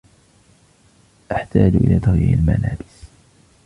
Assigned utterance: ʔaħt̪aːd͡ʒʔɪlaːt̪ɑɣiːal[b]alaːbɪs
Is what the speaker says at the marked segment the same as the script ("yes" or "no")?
no